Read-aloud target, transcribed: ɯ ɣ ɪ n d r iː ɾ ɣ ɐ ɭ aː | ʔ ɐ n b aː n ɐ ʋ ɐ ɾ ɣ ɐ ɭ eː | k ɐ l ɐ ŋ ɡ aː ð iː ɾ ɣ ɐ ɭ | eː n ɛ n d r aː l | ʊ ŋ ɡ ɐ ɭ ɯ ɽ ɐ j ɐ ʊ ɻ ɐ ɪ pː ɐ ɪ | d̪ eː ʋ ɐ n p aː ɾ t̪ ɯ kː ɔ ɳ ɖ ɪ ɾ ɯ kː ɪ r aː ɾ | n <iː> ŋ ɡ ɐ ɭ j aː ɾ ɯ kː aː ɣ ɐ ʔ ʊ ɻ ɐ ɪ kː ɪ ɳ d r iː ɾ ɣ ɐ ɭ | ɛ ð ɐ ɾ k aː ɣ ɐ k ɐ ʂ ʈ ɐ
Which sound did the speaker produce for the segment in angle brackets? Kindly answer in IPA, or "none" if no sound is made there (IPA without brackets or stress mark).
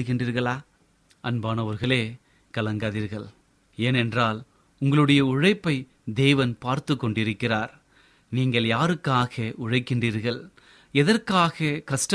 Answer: iː